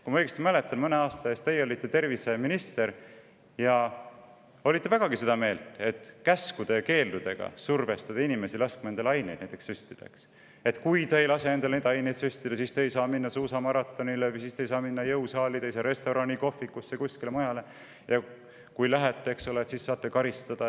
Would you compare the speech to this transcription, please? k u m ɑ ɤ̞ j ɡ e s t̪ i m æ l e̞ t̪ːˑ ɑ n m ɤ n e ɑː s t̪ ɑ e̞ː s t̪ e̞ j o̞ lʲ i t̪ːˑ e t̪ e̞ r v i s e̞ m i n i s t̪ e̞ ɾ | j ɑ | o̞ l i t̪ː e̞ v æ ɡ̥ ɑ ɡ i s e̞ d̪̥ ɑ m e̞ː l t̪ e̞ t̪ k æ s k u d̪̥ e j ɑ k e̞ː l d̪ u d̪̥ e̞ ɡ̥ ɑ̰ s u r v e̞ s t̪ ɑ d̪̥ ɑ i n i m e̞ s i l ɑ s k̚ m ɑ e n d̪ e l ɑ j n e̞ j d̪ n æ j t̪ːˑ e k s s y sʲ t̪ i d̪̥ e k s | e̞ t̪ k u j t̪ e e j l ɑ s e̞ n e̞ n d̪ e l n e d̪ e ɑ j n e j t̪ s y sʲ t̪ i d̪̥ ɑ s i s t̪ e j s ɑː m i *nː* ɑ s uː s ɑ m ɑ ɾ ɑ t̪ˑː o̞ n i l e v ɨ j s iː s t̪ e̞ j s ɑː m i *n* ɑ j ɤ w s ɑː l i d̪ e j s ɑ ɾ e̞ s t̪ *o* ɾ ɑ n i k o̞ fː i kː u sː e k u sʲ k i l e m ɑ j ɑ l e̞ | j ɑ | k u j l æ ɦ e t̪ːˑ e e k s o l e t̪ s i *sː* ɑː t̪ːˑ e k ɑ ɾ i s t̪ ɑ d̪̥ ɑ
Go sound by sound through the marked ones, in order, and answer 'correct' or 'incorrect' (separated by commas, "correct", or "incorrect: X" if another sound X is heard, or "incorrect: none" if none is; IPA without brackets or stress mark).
correct, incorrect: nː, correct, correct